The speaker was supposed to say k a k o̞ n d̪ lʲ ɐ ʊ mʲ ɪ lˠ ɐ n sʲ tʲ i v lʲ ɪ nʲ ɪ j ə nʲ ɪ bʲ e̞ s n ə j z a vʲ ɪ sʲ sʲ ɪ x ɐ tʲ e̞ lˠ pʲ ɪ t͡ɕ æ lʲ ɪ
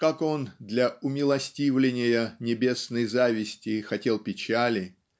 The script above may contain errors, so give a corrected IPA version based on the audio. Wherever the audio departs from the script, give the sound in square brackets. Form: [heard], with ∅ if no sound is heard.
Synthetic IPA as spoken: k a k o̞ n d̪ lʲ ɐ ʊ mʲ ɪ lˠ ɐ [∅] sʲ tʲ i v lʲ ɪ nʲ ɪ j ə nʲ ɪ bʲ e̞ s n ə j z a vʲ ɪ sʲ [tʲ] ɪ x ɐ tʲ e̞ lˠ pʲ ɪ t͡ɕ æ lʲ ɪ